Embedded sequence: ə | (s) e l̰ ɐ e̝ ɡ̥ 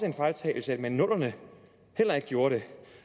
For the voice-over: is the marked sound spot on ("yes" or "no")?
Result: no